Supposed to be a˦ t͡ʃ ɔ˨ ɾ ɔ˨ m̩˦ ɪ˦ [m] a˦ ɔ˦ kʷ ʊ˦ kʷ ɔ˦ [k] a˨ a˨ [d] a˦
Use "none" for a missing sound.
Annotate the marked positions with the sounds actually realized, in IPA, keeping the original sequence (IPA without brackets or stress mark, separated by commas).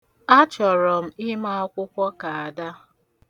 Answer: m, k, d